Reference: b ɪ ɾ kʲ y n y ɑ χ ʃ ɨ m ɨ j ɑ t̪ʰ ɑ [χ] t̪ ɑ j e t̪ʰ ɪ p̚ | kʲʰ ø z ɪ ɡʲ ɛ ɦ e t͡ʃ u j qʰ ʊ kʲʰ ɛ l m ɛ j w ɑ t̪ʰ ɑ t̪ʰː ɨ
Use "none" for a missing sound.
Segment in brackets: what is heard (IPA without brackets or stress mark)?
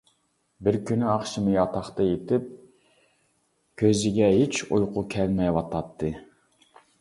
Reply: χ